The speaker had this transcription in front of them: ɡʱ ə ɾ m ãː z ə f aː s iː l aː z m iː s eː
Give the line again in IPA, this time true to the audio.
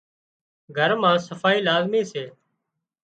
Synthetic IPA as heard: ɡʱ ə ɾ m ãː s ə f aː iː l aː z m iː s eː